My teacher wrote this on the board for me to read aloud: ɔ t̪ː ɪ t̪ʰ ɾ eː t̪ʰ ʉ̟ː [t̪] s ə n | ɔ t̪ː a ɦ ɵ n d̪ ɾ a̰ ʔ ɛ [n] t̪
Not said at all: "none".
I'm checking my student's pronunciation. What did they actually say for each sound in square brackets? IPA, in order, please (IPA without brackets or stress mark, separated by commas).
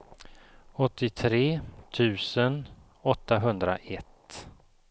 none, none